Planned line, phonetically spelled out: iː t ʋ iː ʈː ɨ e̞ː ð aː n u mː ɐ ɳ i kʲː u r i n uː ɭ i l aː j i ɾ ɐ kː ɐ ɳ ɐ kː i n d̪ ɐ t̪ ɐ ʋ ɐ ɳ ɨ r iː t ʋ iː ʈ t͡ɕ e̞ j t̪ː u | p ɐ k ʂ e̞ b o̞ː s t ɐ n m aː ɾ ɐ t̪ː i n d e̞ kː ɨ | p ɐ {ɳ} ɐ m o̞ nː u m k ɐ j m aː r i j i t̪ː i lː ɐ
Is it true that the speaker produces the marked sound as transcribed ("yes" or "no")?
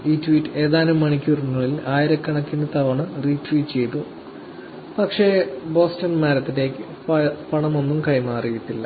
yes